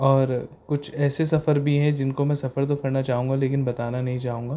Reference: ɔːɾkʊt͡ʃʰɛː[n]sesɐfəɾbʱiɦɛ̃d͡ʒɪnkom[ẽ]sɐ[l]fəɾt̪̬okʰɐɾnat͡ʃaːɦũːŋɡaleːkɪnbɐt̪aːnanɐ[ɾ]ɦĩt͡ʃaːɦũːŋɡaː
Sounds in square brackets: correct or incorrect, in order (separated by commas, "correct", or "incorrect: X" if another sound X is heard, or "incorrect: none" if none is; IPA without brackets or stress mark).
incorrect: none, incorrect: ɛ̃, incorrect: none, incorrect: none